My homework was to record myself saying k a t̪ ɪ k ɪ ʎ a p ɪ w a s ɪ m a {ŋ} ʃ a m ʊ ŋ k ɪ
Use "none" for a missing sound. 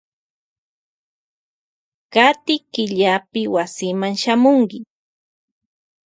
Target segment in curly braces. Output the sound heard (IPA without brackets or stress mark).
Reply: ŋ